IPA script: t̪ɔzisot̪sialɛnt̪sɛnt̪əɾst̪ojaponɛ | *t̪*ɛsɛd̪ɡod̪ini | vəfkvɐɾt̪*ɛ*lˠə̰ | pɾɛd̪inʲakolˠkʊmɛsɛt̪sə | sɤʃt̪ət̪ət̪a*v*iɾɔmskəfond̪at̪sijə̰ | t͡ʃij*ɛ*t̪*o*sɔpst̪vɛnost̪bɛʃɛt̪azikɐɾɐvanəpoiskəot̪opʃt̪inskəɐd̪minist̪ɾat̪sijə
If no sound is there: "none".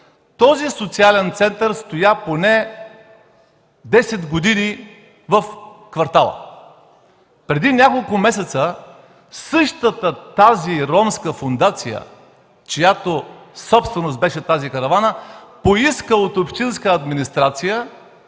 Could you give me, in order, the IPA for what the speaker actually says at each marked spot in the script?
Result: d̪, a, z, a, o

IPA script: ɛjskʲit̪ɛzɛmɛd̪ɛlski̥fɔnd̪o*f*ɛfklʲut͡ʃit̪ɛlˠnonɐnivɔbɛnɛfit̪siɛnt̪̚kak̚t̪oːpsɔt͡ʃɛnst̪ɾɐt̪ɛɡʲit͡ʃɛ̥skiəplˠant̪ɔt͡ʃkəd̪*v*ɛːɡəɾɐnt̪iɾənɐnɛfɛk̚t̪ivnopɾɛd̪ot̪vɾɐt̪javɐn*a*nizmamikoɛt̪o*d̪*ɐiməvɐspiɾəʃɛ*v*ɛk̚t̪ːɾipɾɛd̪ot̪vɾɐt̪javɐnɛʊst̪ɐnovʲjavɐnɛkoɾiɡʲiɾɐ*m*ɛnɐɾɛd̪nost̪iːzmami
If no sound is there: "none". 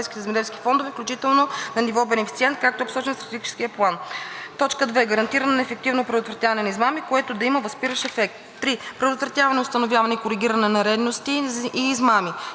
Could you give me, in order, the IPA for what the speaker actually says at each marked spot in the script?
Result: v, v, ɛ, d̪, f, n

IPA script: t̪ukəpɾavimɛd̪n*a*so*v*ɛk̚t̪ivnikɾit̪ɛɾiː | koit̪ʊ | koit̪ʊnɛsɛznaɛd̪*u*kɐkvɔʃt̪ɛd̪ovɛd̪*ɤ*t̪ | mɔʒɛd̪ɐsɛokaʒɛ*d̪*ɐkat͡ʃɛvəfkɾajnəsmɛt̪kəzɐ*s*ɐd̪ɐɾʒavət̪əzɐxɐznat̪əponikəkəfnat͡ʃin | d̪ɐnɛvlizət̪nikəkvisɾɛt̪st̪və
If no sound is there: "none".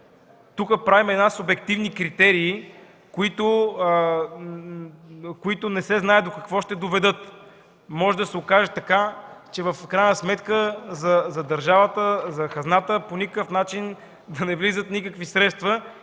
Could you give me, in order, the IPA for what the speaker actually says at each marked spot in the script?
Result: a, b, o, ɤ, t̪, z

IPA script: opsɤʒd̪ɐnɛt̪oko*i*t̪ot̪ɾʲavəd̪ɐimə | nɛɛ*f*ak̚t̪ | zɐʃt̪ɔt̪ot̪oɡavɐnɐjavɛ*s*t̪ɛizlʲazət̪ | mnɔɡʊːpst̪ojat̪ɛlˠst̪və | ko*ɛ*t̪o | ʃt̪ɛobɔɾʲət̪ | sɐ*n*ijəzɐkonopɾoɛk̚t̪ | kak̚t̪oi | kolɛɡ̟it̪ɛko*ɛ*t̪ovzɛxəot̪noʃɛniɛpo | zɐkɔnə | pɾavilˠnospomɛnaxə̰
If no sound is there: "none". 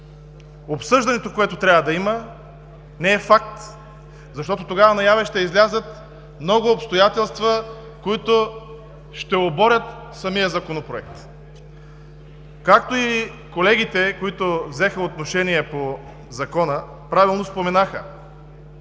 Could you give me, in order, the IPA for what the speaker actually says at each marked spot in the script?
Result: ɛ, f, ʃ, i, m, i

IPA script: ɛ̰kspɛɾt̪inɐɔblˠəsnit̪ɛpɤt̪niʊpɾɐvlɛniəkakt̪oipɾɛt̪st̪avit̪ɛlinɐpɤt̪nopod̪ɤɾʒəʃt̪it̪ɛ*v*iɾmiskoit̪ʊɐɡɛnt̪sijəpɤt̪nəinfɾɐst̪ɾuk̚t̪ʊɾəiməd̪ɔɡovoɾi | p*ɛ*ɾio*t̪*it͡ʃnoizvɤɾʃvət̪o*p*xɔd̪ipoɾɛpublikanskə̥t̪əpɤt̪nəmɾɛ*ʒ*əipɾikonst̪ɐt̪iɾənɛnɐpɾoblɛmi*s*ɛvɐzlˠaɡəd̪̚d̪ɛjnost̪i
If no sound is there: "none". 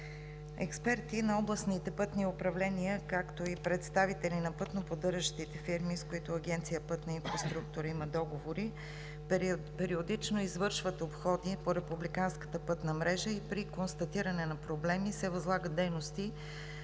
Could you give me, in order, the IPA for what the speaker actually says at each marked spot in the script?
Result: f, ɛ, d̪, p, ʒ, s

